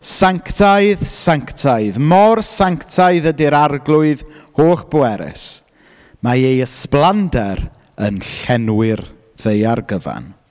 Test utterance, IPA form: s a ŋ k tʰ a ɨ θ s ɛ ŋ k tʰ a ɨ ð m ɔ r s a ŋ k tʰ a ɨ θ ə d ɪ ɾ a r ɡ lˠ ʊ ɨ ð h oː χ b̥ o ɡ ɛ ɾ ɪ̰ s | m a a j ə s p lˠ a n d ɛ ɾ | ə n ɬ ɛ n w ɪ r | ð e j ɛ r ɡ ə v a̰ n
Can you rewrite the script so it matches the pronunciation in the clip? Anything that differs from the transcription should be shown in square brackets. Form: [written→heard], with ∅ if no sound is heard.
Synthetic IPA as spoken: s a ŋ k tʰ a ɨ [θ→ð] s [ɛ→a] ŋ k tʰ a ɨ ð m ɔ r s a ŋ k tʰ a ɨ [θ→ð] ə d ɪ ɾ a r ɡ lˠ ʊ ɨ ð h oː χ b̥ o [ɡ→∅] ɛ ɾ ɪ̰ s | m a [a→e] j ə s p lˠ a n d ɛ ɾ | ə n ɬ ɛ n w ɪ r | ð e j [ɛ→a] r ɡ ə v a̰ n